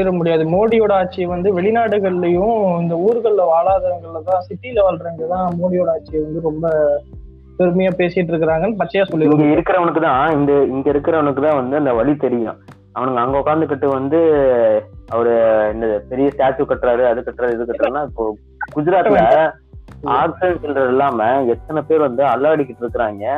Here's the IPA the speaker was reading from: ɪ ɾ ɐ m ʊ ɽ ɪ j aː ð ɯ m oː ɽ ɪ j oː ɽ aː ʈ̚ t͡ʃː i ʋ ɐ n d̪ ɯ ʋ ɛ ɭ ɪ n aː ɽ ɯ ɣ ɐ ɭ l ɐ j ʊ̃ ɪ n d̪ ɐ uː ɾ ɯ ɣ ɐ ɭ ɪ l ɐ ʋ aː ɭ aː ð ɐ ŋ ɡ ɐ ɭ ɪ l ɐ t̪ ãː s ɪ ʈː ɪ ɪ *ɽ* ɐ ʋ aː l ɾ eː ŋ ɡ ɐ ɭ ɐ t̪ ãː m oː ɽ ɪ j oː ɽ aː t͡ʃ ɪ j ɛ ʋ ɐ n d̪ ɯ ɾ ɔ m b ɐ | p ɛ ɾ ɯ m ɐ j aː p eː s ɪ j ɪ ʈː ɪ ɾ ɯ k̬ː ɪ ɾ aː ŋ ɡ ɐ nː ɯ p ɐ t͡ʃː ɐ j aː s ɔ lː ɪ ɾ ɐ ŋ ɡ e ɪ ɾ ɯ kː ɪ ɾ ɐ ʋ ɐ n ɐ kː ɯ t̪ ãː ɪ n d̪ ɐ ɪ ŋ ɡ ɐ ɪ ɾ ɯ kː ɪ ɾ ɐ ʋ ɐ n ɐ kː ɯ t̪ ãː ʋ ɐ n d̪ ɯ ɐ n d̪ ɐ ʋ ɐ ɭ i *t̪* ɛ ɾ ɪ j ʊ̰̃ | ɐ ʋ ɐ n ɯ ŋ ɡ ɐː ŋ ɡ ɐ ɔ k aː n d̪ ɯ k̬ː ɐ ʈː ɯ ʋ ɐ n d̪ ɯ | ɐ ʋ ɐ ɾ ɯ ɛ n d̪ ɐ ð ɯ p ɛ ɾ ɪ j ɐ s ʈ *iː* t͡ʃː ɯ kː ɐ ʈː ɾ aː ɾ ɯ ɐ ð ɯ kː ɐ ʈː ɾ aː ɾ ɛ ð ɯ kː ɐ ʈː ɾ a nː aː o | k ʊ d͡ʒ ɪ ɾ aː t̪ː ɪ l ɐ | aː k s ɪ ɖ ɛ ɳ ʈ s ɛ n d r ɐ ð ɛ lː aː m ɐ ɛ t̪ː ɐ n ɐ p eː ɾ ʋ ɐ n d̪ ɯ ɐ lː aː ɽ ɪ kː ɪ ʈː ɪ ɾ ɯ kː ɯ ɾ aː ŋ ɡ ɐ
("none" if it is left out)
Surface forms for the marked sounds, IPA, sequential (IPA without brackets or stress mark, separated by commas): l, t̪, aː